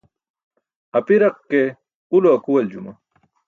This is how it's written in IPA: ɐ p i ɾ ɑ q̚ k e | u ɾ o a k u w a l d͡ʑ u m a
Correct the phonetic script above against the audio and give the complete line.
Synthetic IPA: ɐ p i ɾ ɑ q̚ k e | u l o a k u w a l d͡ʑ u m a